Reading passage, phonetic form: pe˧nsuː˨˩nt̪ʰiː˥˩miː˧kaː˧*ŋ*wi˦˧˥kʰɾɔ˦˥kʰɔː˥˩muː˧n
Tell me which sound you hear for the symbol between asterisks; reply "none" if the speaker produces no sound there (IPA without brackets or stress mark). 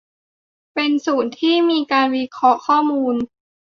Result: n